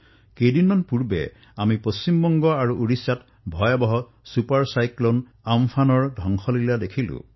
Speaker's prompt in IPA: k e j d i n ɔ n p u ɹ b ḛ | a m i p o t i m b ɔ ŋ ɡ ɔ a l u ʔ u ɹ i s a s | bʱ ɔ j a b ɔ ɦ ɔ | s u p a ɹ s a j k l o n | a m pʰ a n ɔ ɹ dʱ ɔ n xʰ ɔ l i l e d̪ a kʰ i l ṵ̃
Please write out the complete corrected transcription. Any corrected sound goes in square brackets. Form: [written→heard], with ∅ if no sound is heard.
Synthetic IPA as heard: k e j d i n ɔ n p u ɹ b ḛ | a m i p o [t→s] i m b ɔ ŋ ɡ ɔ a [l→ɹ] u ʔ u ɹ i s a [s→t] | bʱ ɔ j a b ɔ ɦ ɔ | s u p a ɹ s a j k l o n | a m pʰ a n ɔ ɹ dʱ ɔ [n→ŋ] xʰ ɔ l i l [e→a] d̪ [a→e] kʰ i l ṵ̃